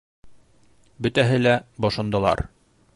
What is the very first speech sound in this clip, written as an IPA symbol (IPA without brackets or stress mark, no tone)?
b